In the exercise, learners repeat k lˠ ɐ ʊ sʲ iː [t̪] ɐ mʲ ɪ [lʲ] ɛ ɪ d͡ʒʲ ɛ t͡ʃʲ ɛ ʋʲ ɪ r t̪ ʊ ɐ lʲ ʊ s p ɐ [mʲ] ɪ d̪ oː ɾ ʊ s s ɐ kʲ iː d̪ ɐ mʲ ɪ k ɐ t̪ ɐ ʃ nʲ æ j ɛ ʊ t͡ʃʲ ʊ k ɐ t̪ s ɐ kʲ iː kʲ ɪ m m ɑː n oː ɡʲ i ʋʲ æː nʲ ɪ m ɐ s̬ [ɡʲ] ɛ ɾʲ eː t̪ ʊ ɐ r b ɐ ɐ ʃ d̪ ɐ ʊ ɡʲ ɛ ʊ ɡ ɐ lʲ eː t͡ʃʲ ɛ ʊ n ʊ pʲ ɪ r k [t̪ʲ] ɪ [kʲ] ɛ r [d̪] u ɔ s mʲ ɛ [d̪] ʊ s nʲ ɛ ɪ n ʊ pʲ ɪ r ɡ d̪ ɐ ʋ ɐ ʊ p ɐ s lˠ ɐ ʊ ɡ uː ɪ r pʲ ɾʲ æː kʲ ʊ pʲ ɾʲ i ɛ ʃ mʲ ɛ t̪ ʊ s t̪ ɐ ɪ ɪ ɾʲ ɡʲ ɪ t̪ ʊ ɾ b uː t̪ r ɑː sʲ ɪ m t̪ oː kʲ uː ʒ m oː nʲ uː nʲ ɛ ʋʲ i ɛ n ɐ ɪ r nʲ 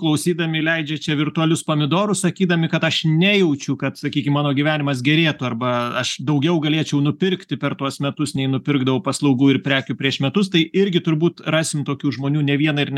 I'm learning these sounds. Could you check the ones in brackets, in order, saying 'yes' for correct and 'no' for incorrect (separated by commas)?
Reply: no, yes, yes, yes, yes, no, no, no